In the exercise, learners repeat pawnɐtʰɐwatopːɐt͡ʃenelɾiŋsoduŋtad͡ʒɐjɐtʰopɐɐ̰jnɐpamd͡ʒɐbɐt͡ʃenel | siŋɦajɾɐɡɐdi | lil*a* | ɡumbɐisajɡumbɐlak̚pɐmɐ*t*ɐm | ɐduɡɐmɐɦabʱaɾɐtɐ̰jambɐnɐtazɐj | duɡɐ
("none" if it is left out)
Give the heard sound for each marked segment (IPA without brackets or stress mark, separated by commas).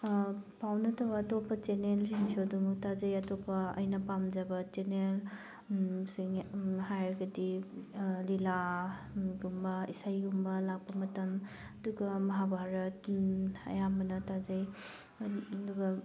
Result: a, t